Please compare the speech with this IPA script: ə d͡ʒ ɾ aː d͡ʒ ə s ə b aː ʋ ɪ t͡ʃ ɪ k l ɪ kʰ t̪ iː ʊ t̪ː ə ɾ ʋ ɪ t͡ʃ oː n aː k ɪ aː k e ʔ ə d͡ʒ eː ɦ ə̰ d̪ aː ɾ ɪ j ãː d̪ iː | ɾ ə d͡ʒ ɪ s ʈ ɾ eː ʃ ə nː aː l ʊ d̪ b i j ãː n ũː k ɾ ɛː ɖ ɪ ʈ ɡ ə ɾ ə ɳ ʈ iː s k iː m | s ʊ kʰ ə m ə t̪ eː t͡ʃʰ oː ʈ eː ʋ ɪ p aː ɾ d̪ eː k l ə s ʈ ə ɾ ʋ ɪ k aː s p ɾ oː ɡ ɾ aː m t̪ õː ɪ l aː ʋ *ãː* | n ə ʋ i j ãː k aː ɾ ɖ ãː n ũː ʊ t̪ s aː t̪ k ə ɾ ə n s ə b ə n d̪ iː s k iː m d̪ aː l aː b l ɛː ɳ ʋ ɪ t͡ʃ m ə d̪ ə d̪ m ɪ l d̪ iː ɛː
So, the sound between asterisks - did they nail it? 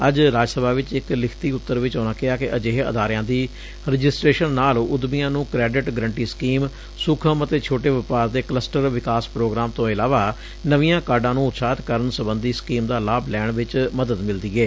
no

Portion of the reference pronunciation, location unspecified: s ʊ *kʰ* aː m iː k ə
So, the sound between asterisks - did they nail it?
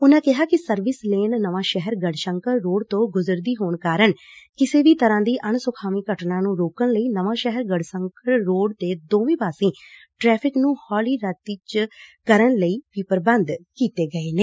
yes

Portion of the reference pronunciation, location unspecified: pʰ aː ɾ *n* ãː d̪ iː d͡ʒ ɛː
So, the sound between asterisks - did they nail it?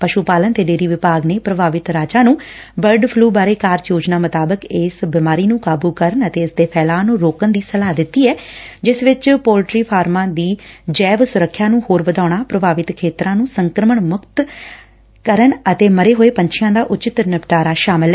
no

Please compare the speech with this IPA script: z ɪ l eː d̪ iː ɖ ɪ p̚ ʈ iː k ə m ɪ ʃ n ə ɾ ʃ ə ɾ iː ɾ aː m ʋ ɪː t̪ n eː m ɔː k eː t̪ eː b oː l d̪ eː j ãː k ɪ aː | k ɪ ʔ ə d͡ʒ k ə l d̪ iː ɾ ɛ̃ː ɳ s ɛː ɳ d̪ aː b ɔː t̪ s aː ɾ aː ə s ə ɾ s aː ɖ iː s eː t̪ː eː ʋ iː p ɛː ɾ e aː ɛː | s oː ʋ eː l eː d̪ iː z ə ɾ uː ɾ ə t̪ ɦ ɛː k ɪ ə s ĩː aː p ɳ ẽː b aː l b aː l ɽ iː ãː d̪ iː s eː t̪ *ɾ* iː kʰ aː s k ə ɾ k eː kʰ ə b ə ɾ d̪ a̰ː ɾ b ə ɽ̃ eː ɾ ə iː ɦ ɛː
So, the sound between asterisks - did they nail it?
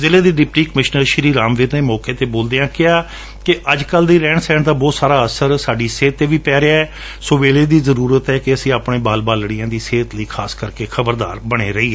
no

